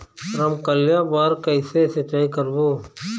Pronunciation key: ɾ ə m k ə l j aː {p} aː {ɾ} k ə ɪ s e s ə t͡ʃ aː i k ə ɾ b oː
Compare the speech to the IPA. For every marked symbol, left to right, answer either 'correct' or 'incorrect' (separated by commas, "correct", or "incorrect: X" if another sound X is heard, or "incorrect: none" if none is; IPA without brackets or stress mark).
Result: incorrect: b, correct